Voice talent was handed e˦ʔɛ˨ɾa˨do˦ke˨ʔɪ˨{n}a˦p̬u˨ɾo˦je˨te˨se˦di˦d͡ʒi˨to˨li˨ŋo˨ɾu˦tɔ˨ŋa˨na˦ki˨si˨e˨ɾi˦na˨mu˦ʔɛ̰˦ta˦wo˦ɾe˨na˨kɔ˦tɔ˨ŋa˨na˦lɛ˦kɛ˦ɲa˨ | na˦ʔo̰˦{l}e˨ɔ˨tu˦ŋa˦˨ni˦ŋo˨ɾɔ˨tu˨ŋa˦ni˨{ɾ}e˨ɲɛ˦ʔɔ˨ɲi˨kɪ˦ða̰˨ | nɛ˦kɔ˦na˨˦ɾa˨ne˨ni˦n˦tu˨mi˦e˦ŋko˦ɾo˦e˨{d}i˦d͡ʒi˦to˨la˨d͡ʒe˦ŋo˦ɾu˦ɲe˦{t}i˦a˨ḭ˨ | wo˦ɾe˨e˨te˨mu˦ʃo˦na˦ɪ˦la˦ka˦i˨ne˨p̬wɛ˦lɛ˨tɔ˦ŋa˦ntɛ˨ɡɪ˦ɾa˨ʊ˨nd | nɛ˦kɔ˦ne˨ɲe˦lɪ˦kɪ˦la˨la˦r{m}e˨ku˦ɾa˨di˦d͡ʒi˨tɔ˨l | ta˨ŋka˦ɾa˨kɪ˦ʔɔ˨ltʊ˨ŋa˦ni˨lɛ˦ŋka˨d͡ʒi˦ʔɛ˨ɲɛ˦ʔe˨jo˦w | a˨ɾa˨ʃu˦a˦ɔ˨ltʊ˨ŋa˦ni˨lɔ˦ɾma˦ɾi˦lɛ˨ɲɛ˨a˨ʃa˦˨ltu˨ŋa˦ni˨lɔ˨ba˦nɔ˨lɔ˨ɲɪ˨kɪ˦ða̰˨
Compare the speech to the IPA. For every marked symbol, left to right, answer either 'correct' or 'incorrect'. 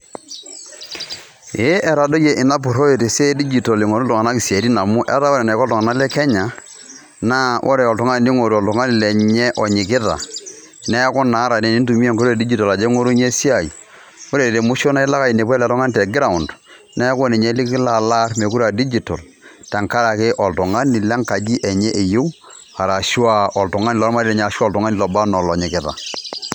correct, incorrect, incorrect, correct, incorrect, correct

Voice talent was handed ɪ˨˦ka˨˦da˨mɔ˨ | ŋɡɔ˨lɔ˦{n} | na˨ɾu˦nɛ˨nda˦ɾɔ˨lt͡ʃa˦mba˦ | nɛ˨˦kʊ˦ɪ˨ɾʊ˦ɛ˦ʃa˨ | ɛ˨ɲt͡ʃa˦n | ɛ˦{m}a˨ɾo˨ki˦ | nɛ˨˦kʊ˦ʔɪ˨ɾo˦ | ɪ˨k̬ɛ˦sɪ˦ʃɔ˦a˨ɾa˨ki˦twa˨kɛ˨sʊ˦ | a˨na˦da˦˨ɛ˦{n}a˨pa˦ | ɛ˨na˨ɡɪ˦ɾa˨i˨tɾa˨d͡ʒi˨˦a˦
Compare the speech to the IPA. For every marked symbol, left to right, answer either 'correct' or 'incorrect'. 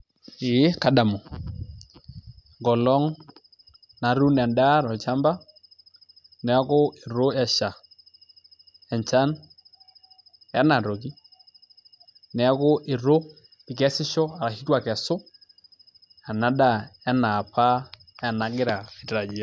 incorrect, incorrect, correct

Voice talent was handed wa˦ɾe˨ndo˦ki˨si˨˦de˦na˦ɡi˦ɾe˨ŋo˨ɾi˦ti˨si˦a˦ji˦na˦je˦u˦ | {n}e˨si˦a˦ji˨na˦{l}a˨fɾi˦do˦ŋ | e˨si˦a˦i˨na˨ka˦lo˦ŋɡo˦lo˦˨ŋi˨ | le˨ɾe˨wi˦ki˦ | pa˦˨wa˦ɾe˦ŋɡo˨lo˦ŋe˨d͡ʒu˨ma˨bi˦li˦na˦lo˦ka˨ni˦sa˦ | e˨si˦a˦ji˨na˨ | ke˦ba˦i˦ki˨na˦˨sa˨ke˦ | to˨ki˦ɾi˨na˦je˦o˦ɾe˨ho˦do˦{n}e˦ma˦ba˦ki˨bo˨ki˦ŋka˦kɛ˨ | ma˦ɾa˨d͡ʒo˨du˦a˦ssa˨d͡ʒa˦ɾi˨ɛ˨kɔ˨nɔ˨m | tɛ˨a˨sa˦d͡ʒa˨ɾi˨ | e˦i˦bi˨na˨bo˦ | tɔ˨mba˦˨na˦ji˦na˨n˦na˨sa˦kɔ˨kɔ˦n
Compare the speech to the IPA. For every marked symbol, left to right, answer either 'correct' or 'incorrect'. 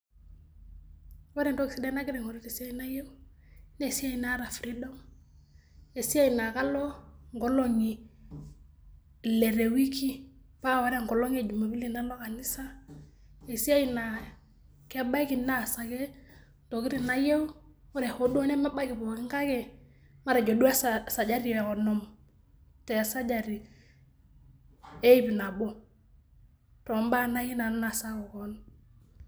correct, incorrect, correct

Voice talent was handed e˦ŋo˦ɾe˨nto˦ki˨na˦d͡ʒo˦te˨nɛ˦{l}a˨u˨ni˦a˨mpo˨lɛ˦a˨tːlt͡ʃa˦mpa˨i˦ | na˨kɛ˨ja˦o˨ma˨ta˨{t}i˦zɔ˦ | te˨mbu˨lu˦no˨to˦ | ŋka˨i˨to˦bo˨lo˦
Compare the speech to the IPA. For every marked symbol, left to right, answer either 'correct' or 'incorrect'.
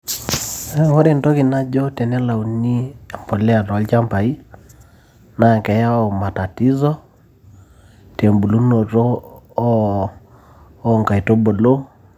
correct, correct

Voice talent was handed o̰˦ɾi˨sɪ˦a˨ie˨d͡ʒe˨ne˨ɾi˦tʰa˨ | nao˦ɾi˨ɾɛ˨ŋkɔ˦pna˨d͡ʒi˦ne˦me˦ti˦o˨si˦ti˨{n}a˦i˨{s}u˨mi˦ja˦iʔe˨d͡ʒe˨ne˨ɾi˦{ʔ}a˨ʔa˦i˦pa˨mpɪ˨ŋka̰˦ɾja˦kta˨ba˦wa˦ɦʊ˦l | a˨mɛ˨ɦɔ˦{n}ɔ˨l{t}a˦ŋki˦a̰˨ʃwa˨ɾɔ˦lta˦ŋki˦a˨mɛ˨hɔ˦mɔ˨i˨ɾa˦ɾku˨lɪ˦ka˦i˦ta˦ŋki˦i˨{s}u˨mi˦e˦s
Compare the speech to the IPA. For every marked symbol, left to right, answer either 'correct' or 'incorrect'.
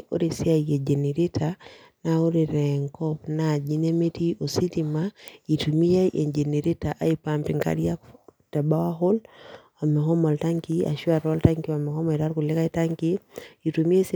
incorrect, incorrect, incorrect, incorrect, correct, incorrect

